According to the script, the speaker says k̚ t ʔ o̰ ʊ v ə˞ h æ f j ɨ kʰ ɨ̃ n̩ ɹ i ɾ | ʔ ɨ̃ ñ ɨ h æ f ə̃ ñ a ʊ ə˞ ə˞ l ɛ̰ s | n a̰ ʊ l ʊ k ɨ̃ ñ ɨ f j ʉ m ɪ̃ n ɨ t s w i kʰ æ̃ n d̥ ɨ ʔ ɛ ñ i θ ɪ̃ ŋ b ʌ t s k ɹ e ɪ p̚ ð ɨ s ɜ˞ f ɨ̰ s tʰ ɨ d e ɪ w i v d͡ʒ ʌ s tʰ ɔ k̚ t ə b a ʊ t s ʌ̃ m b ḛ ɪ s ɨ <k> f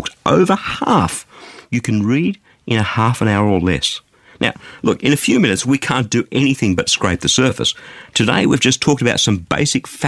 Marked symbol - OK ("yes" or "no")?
yes